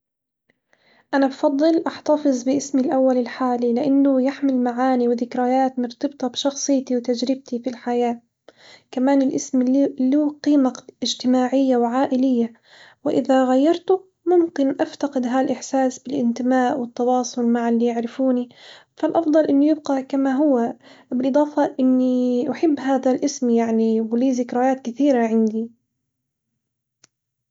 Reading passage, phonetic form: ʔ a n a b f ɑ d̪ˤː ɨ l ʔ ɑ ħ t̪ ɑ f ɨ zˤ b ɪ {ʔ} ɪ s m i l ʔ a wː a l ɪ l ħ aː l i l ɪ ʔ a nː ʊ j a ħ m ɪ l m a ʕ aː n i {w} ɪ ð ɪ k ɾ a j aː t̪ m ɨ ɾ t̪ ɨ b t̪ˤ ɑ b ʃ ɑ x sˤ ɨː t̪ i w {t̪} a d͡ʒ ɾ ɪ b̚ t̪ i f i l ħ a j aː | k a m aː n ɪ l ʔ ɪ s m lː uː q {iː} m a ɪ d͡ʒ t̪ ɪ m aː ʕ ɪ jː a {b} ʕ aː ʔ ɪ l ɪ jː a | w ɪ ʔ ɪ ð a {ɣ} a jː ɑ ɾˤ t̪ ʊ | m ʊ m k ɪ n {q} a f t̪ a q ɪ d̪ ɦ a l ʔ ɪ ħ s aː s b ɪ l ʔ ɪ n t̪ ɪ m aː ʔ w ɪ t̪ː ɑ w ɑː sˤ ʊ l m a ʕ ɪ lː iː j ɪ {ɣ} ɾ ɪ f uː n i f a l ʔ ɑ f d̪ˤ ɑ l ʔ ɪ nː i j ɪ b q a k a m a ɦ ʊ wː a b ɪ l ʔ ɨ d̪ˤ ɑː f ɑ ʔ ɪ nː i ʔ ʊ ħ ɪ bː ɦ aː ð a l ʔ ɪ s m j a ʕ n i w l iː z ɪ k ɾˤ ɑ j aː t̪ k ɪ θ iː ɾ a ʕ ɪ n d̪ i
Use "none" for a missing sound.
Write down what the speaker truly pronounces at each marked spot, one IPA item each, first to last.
ʔ, w, t̪, iː, w, ɣ, ʔ, ʕ

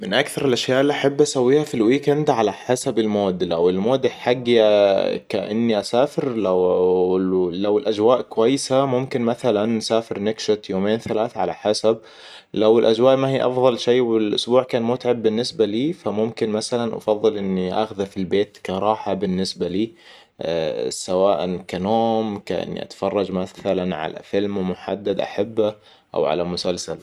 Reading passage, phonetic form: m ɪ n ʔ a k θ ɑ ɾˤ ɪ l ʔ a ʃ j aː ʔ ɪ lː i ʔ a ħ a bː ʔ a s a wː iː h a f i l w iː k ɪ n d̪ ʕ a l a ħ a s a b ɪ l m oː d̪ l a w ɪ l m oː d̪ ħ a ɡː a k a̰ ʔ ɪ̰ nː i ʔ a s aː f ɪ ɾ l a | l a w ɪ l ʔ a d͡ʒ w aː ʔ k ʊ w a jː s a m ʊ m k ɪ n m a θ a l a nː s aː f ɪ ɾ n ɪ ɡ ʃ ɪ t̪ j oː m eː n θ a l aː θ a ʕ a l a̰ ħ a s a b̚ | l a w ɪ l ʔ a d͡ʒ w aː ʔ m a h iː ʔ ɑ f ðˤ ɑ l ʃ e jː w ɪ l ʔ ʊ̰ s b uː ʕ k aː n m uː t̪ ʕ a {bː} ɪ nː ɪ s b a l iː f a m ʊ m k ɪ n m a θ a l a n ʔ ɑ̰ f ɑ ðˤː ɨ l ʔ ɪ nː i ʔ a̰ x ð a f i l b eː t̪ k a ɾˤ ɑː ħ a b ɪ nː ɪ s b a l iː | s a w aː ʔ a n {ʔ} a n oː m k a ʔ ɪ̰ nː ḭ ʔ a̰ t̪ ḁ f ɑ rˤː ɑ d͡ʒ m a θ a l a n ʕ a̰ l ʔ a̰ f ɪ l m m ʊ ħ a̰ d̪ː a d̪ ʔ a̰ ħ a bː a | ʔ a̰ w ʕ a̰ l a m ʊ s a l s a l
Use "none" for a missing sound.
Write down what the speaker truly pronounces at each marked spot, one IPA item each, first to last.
bː, k

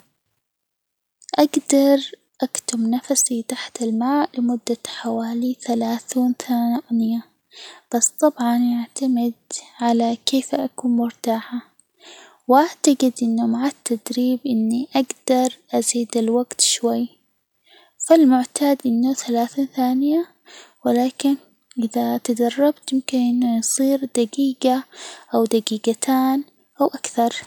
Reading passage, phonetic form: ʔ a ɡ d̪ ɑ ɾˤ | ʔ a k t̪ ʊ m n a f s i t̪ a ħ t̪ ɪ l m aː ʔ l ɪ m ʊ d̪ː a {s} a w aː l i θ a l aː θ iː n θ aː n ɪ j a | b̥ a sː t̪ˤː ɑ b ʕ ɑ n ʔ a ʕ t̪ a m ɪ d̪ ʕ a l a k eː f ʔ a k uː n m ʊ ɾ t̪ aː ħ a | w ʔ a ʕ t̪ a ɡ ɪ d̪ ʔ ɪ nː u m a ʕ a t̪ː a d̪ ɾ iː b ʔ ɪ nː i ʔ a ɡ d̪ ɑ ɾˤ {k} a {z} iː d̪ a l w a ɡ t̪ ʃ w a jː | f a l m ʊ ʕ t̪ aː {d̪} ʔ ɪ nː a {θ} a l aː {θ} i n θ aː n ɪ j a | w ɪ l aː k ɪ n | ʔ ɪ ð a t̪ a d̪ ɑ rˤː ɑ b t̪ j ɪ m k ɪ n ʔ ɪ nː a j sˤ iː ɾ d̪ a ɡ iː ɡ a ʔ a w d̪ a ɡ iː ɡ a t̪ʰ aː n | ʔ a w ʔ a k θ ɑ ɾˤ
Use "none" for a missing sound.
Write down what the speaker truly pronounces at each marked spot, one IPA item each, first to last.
ħ, ʔ, z, d̪, θ, θ

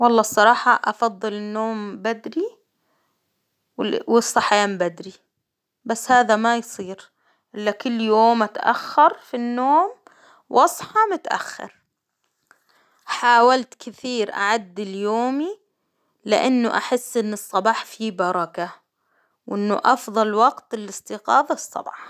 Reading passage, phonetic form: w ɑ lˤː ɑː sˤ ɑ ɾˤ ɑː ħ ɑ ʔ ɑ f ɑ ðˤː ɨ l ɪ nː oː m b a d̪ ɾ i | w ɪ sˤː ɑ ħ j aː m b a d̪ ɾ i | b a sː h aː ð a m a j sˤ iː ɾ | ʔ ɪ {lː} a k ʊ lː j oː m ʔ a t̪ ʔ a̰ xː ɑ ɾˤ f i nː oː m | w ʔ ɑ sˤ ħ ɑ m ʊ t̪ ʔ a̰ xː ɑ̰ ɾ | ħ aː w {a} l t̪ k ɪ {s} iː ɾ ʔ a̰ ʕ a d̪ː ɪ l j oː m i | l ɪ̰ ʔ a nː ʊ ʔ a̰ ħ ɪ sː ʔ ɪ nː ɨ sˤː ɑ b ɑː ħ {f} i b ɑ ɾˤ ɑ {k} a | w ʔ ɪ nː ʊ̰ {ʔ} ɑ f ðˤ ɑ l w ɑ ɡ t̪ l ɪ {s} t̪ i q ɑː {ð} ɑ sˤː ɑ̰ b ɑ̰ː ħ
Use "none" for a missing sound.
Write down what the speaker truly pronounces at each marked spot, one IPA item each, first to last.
lː, a, θ, f, k, ʔ, s, ð

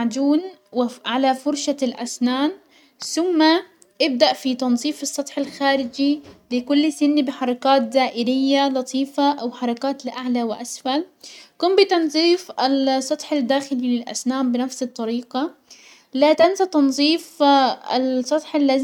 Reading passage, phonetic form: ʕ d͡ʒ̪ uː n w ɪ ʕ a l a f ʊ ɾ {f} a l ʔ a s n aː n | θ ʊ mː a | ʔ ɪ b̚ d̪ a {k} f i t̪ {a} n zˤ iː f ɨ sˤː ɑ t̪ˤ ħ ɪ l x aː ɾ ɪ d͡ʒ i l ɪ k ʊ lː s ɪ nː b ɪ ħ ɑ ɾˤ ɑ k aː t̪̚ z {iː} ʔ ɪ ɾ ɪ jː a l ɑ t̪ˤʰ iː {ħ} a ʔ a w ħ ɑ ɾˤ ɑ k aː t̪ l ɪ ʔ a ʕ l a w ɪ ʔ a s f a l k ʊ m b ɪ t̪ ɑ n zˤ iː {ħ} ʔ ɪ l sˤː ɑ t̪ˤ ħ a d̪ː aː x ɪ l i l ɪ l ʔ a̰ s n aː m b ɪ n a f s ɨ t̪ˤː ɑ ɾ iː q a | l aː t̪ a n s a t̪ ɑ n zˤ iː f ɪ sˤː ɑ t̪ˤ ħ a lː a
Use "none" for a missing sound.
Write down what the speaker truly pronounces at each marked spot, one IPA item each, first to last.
ʃ, ʔ, ɑ, aː, f, f

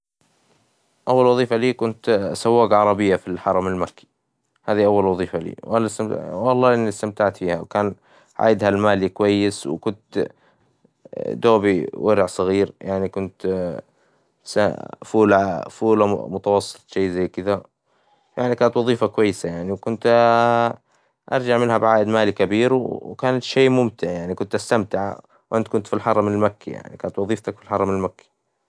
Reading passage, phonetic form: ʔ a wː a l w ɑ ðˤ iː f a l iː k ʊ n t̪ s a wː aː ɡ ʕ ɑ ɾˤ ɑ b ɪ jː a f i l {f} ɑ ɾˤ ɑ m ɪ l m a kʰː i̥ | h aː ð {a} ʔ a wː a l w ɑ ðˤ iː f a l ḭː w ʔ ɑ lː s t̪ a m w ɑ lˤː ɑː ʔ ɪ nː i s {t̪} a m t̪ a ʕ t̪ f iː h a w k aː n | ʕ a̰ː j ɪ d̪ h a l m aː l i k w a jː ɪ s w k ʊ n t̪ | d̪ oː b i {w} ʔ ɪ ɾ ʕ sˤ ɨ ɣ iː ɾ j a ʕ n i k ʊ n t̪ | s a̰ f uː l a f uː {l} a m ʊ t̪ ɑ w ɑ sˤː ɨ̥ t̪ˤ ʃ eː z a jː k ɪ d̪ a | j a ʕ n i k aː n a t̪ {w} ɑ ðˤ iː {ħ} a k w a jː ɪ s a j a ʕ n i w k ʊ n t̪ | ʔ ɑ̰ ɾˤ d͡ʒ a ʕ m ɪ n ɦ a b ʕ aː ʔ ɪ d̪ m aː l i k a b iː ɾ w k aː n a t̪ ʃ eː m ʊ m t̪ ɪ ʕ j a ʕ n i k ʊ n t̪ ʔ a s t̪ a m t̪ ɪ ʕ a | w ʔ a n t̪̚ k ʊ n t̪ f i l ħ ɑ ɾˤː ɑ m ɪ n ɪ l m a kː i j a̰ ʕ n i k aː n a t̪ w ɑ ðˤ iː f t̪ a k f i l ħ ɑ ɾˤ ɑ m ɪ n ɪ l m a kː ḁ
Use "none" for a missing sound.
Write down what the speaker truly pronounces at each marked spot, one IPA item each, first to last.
ħ, i, t̪, w, l, w, f

